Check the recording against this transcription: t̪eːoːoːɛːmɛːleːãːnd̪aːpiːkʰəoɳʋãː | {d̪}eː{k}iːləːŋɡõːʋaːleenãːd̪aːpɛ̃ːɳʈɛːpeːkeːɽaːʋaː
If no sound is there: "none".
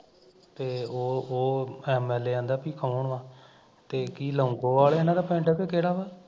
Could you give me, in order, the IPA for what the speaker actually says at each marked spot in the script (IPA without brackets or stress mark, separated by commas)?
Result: t̪, k